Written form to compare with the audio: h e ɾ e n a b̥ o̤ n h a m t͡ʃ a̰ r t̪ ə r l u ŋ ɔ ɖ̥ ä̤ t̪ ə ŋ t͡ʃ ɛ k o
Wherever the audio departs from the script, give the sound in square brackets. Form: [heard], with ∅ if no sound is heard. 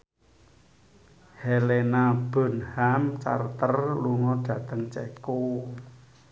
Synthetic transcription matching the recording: h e [l] e n a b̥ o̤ n h a m t͡ʃ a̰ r t̪ ə r l u ŋ ɔ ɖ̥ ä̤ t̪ ə ŋ t͡ʃ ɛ k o